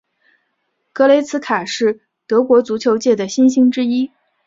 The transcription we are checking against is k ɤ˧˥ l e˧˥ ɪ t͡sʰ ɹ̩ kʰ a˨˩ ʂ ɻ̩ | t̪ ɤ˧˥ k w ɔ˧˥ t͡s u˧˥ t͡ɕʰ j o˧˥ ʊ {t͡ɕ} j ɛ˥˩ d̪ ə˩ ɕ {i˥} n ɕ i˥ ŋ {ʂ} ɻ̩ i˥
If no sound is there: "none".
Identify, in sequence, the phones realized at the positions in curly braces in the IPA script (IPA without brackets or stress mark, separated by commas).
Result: t͡ɕ, i˥, ʈ͡ʂ